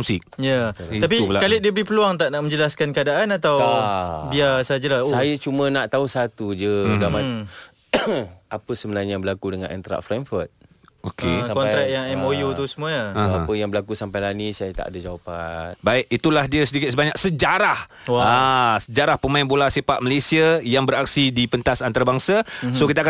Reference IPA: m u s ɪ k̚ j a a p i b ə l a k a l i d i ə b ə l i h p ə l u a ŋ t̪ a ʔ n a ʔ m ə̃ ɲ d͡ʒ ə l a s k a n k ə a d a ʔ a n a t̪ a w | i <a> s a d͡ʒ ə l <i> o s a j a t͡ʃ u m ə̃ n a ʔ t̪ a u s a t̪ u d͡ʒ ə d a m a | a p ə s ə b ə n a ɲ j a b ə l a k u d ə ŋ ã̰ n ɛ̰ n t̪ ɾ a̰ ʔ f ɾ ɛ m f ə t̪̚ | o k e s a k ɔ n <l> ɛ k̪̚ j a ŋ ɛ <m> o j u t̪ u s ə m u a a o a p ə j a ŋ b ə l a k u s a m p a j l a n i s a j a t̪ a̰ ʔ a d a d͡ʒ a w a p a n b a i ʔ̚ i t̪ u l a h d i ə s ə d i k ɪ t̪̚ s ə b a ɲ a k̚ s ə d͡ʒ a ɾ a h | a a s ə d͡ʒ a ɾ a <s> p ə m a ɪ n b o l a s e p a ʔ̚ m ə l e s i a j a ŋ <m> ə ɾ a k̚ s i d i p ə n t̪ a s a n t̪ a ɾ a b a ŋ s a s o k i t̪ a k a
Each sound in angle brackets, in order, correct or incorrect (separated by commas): correct, incorrect, incorrect, correct, incorrect, incorrect